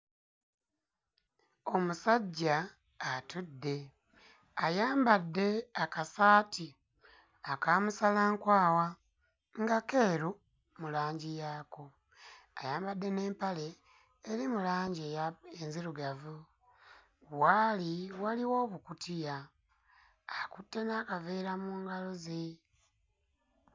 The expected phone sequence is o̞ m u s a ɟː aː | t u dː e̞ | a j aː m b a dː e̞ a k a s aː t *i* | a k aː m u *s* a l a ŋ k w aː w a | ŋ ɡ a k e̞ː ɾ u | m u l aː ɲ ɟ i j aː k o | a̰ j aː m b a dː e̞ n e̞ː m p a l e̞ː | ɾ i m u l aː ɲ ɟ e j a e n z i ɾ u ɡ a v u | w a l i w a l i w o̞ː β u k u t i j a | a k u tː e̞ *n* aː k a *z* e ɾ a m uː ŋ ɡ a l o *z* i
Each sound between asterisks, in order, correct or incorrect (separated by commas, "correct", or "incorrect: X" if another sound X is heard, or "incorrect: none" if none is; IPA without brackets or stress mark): correct, correct, correct, incorrect: v, correct